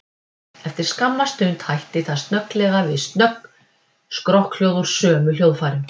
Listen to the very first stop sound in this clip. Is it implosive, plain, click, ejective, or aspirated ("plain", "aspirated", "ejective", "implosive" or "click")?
plain